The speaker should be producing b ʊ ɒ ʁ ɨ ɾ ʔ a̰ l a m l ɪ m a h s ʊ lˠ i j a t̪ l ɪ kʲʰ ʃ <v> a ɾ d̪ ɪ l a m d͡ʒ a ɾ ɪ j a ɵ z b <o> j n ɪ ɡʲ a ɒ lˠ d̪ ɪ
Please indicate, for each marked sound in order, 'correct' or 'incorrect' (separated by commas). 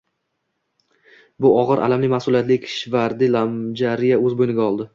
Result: correct, correct